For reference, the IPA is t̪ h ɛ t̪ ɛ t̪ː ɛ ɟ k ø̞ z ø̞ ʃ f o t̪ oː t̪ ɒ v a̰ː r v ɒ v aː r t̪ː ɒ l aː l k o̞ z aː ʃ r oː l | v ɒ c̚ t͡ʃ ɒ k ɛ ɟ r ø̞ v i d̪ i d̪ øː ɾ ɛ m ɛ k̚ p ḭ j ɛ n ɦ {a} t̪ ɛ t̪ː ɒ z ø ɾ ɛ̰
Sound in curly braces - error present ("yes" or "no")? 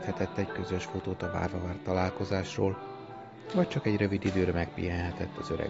yes